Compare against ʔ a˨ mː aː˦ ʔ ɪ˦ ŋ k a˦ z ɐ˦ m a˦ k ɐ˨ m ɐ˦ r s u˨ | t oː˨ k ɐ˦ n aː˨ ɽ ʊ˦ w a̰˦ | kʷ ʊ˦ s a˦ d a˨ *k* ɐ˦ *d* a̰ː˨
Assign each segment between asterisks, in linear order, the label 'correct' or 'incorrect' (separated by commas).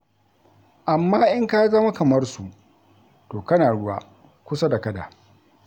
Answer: correct, correct